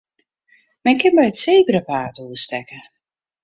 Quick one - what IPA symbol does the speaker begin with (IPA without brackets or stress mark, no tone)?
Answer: m